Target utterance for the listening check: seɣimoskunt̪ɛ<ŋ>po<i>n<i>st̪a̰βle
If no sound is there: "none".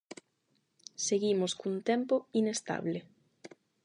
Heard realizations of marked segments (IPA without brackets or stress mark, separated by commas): m, i, e